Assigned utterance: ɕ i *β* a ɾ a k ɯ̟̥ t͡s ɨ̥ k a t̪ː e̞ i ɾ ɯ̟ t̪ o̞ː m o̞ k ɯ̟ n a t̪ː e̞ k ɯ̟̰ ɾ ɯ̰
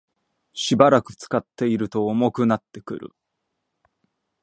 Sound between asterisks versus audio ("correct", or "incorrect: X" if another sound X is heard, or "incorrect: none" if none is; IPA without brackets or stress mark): incorrect: b